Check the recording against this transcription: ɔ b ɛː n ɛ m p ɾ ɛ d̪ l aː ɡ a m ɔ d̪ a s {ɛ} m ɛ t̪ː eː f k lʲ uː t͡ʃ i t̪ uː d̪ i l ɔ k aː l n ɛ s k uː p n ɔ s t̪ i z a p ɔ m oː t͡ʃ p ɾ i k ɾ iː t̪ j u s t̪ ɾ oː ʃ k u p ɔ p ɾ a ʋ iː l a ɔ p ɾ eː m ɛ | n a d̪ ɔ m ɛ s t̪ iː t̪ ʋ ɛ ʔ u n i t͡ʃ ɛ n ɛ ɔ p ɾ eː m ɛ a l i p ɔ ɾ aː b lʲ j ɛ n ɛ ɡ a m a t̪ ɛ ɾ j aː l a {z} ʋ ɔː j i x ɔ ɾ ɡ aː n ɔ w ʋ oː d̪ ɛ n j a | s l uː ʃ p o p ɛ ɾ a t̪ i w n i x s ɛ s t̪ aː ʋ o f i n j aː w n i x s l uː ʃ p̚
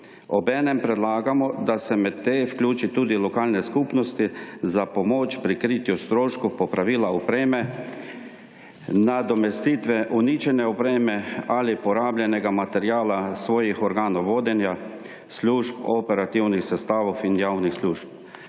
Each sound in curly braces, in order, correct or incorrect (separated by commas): correct, incorrect